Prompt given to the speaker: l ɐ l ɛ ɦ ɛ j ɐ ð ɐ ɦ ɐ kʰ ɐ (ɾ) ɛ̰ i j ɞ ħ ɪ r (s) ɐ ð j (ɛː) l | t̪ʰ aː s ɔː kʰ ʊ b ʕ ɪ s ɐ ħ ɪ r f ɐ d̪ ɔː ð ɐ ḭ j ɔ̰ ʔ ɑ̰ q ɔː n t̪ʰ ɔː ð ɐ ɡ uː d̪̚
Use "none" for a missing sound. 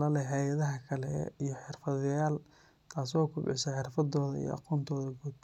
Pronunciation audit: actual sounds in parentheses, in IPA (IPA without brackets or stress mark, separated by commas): l, f, aː